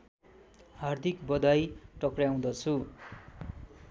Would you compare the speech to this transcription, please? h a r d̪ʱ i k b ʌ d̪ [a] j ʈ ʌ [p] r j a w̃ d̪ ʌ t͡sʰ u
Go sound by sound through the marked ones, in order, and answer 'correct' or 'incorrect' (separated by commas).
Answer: correct, incorrect